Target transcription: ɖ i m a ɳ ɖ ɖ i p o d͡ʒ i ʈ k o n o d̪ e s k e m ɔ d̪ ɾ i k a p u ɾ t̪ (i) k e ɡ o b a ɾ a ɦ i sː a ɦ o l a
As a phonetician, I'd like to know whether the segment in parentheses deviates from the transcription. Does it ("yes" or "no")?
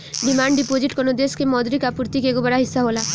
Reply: no